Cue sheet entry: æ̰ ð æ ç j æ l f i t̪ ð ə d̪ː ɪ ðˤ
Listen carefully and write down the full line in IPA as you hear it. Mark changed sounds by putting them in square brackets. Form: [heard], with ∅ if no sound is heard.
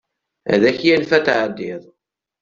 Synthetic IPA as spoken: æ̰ ð æ ç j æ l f [æ] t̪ [ʕ] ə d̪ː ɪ ðˤ